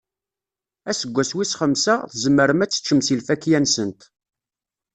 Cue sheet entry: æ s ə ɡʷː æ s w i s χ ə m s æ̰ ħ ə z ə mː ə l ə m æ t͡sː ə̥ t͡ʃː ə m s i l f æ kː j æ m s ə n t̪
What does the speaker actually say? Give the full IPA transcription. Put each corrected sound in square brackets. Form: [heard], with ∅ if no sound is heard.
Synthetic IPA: æ s ə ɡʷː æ s w i s χ ə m s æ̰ [θ] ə z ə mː ə [ɾ] ə m æ t͡sː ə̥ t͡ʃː ə m s i l f æ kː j æ [n] s ə n t̪

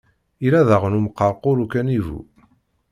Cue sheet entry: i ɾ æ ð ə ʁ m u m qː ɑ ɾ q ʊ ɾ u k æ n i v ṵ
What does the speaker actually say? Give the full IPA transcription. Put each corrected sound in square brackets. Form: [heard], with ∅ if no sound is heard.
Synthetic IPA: i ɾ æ ð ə ʁ [n] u m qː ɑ ɾ q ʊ ɾ u k æ n i v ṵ

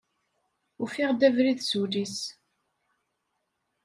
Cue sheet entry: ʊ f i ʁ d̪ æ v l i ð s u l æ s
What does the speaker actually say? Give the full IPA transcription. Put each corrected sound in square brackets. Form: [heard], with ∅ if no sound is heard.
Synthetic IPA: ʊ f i ʁ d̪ æ v [ɾ] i ð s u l [i] s

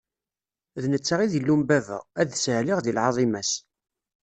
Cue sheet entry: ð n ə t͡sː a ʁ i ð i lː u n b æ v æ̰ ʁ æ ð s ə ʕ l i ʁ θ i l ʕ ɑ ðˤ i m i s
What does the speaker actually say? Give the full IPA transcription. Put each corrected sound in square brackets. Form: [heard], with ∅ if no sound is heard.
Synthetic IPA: ð n ə t͡sː a ʁ i ð i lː u [m] b æ v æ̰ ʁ æ ð s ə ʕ l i ʁ [ð] i l ʕ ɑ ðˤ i m [æ] s

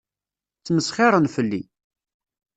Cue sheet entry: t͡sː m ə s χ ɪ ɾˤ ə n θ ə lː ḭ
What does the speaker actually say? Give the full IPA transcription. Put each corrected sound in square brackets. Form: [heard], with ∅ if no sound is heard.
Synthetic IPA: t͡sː m ə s χ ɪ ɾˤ ə n [f] ə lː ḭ

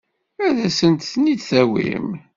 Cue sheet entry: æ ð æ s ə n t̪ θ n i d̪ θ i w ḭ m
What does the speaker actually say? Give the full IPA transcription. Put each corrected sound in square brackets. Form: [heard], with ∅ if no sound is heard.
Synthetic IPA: æ ð æ s ə n t̪ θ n i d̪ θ [æ] w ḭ m

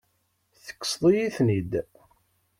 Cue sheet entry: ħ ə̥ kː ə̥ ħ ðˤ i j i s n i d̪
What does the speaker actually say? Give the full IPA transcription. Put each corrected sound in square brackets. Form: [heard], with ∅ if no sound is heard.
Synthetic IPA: [θ] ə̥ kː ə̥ [s] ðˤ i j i [θ] n i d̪

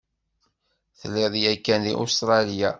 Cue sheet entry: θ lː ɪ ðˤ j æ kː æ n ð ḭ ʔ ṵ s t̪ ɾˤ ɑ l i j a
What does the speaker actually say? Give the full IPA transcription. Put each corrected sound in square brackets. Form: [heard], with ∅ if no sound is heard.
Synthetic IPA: θ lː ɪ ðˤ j æ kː æ n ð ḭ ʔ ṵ s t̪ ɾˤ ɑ l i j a

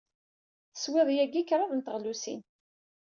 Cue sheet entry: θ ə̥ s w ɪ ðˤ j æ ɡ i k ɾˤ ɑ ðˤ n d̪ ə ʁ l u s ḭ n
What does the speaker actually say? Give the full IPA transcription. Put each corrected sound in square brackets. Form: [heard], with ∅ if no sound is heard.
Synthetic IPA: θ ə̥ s w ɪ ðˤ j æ ɡ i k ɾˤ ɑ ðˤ n [t̪] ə ʁ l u s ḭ n

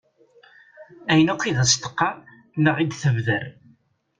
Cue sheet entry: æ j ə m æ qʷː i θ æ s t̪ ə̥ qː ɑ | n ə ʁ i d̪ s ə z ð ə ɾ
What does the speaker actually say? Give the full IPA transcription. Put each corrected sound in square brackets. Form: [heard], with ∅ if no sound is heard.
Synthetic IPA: æ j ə [n] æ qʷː i [ð] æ s t̪ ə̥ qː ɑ | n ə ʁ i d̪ [θ] ə [v] ð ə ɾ

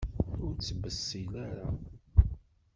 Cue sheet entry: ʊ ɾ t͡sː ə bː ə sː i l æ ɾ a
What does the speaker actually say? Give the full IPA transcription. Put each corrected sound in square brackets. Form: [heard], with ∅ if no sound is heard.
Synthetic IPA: ʊ ɾ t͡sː ə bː ə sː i l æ ɾ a

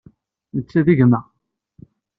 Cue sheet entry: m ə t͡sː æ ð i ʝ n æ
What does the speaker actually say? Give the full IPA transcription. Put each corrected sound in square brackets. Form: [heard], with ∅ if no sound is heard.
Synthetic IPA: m ə t͡sː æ ð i ʝ [m] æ

